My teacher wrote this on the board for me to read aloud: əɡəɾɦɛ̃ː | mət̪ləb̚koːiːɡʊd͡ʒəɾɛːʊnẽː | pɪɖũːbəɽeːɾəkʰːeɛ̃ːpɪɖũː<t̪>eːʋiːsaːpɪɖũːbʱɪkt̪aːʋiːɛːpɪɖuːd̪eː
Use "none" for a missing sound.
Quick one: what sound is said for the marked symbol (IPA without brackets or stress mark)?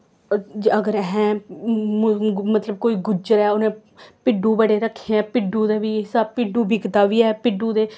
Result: d̪